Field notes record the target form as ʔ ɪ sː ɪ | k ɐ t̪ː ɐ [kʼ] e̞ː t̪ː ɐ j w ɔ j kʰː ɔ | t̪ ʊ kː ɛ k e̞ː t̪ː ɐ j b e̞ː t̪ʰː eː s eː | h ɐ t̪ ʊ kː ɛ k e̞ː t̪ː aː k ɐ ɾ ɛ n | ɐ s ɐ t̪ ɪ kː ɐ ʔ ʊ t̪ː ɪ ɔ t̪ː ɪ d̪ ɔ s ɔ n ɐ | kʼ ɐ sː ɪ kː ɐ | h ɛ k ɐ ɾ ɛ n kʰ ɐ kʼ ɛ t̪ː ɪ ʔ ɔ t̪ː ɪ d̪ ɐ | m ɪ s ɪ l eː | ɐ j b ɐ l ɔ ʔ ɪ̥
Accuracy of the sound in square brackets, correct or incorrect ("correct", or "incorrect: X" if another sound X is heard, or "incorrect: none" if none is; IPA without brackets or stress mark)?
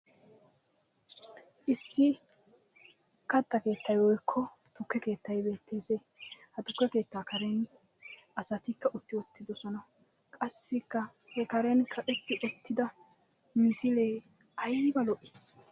incorrect: k